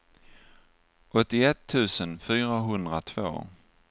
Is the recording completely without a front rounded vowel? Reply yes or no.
no